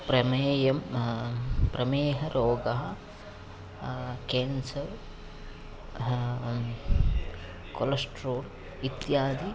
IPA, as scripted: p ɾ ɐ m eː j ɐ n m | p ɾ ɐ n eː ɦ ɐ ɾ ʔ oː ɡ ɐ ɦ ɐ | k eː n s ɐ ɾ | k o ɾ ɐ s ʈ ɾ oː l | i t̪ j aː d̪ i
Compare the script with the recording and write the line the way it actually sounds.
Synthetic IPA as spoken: p ɾ ɐ m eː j ɐ m | p ɾ ɐ m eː ɦ ɐ ɾ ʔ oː ɡ ɐ ɦ ɐ | k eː n s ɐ ɾ | k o l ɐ s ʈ ɾ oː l | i t̪ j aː d̪ i

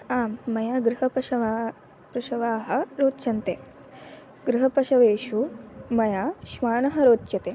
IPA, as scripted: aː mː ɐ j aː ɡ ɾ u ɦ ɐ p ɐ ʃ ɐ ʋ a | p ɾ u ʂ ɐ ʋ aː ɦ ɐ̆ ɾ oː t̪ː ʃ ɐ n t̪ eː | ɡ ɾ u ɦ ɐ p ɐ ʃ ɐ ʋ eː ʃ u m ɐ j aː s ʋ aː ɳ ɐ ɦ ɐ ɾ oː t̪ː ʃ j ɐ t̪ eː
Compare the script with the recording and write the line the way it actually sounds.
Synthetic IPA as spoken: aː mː ɐ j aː ɡ ɾ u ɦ ɐ p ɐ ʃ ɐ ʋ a | p ɾ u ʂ ɐ ʋ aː ɦ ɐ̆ ɾ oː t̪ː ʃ ɐ n t̪ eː | ɡ ɾ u ɦ ɐ p ɐ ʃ ɐ ʋ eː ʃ u m ɐ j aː ʃ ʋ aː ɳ ɐ ɦ ɐ ɾ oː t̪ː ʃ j ɐ t̪ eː

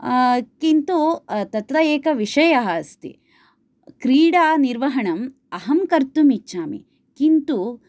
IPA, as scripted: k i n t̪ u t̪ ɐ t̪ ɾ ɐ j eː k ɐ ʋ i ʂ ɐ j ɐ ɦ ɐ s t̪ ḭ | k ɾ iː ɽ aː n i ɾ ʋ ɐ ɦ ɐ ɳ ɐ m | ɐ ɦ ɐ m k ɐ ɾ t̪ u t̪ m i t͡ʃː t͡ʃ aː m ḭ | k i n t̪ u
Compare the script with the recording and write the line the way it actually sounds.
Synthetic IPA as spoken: k i n t̪ u t̪ ɐ t̪ ɾ ɐ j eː k ɐ ʋ i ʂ ɐ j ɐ ɦ ɐ s t̪ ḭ | k ɾ iː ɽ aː n i ɾ ʋ ɐ ɦ ɐ ɳ ɐ m | ɐ ɦ ɐ m k ɐ ɾ t̪ u m i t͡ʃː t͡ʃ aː m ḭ | k i n t̪ u

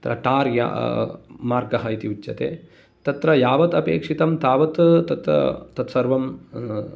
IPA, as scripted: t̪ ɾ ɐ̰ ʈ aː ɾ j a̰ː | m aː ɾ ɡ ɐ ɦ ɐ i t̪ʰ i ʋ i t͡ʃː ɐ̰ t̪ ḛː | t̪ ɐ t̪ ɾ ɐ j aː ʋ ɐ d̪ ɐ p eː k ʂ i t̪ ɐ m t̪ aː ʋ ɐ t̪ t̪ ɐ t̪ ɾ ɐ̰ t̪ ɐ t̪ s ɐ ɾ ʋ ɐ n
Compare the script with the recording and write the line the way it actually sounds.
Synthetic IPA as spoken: t̪ ɾ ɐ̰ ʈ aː ɾ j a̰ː | m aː ɾ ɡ ɐ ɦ ɐ i t̪ i ʋ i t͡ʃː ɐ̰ t̪ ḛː | t̪ ɐ t̪ ɾ ɐ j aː ʋ ɐ t̪ ɐ p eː k ʂ i t̪ ɐ m t̪ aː ʋ ɐ t̪ t̪ ɐ t̪ ɾ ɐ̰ t̪ ɐ t̪ s ɐ ɾ ʋ ɐ m

